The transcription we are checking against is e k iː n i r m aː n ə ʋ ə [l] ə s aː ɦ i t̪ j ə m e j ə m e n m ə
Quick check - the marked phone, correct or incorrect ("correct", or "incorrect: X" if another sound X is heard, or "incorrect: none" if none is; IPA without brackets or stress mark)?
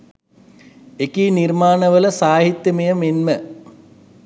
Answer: correct